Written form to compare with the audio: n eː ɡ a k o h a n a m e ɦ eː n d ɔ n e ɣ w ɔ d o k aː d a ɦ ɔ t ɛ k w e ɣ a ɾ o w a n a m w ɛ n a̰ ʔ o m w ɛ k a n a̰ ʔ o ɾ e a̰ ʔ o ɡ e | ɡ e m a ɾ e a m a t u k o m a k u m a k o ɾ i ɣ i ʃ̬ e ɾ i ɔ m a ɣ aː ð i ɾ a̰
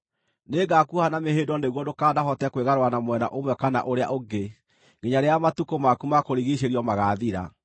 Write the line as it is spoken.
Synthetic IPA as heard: n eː ɡ a k u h a n a m e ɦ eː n d ɔ n e ɣ w ɔ d o k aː d a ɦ ɔ t ɛ k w e ɣ a ɾ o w a n a m w ɛ n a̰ ʔ o m w ɛ k a n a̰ ʔ o ɾ e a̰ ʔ o ɡ e | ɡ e ɲ a ɾ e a m a t u k o m a k u m a k o ɾ i ɣ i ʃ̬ e ɾ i ɔ m a ɣ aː ð i ɾ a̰